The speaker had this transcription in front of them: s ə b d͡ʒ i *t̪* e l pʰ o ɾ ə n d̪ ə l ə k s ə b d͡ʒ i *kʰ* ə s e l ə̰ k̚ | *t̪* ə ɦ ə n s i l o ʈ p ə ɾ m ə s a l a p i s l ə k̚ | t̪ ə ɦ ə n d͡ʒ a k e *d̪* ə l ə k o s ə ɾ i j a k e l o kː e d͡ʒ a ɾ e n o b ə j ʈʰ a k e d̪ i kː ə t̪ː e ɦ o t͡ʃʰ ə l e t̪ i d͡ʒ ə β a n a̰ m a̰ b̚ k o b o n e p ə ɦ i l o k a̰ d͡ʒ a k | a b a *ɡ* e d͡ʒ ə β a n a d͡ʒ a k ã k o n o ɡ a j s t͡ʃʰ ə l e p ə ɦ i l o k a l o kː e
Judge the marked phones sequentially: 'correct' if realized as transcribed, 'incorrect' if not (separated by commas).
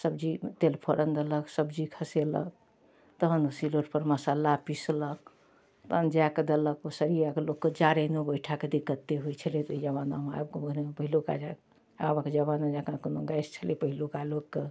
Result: correct, correct, correct, correct, incorrect